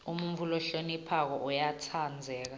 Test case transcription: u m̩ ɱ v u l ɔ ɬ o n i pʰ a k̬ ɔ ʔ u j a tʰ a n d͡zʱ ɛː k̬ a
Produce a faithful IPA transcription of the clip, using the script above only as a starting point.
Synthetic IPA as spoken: u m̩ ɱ v u l ɔ ɬ o n i pʰ a k̬ ɔ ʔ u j a tʰ a n d͡zʱ ɛː k̬ a